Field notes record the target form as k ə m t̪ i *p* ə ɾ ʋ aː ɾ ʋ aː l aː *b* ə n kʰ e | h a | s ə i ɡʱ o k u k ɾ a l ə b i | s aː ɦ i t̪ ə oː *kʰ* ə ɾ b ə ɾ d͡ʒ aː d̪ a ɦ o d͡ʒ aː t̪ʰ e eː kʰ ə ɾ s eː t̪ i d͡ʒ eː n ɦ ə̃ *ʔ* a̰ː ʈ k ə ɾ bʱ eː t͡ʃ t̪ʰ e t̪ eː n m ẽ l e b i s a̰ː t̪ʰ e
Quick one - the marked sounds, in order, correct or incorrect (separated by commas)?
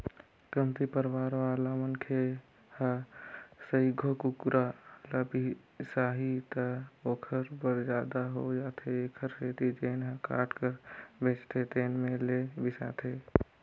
correct, incorrect, correct, incorrect